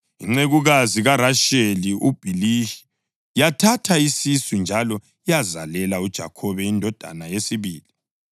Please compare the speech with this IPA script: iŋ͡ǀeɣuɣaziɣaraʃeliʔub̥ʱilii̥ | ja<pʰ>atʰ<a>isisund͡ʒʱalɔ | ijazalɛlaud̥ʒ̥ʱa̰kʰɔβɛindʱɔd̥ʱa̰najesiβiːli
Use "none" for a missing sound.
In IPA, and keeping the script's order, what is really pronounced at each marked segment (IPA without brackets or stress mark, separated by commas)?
tʰ, a